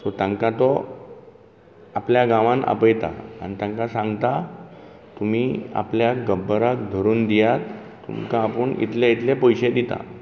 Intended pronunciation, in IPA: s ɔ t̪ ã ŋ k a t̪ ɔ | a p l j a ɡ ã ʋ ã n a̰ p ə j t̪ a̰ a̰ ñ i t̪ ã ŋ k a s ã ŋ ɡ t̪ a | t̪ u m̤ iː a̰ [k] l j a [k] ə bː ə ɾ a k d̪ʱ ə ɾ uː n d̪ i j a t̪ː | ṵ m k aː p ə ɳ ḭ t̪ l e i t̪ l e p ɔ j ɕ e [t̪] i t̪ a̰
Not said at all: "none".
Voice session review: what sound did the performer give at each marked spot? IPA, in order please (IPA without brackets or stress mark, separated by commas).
p, ɡ, d̪